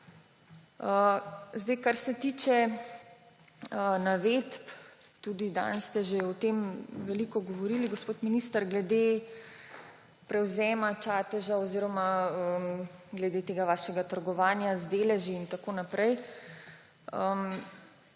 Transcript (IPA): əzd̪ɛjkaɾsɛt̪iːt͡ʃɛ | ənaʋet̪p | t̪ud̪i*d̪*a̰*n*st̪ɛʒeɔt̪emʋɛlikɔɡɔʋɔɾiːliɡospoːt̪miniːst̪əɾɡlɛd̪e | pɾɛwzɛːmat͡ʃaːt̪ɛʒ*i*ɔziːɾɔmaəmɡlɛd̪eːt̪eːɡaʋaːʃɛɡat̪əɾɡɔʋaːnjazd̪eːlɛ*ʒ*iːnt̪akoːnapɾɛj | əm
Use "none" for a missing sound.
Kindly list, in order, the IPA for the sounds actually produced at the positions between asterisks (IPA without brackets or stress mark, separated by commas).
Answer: d̪, n, a, ʒ